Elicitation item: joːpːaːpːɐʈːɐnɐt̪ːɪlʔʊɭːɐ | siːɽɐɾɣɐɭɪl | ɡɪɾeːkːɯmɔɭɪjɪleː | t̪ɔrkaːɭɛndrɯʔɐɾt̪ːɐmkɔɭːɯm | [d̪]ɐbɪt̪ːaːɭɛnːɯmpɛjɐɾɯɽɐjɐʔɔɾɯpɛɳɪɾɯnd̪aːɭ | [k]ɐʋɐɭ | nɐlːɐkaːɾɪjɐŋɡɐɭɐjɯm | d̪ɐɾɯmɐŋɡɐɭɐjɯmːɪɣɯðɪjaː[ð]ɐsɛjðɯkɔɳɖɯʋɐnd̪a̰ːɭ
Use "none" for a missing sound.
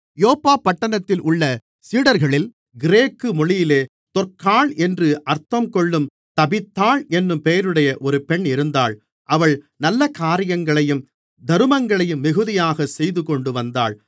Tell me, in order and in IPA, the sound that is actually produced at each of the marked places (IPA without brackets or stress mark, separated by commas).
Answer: t̪, ʔ, ɣ